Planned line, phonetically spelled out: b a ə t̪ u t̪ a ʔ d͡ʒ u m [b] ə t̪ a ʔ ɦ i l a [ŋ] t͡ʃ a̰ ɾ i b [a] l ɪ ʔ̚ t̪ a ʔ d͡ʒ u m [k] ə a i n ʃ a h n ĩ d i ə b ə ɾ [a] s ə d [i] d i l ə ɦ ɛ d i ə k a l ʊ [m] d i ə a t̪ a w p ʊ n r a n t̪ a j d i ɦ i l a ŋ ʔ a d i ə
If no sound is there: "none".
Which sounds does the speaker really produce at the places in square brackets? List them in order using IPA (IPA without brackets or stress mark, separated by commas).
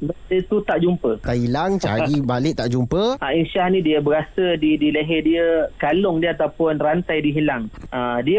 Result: p, ŋ, a, p, a, i, ŋ